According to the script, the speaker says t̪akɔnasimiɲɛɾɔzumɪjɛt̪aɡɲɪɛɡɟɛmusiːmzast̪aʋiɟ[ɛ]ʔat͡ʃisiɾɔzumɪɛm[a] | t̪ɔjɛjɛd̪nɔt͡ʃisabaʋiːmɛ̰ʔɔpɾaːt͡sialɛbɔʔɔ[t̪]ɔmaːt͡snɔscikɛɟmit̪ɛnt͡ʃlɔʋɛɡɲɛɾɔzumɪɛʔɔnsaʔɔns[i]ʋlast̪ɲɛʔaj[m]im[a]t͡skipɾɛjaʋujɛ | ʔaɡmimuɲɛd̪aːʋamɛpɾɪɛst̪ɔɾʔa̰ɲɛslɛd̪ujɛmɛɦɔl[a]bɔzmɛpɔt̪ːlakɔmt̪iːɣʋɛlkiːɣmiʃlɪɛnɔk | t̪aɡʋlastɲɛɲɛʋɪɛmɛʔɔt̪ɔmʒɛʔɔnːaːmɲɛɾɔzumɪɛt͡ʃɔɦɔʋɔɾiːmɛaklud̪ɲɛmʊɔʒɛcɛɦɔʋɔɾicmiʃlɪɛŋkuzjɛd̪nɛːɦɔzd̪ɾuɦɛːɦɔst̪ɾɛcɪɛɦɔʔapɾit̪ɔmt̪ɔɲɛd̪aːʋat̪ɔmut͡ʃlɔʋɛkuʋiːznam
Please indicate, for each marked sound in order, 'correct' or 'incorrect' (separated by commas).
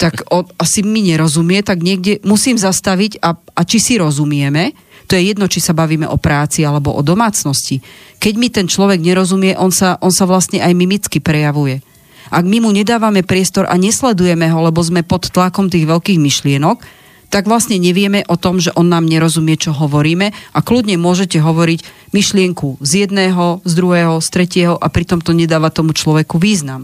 incorrect, incorrect, incorrect, incorrect, correct, incorrect, incorrect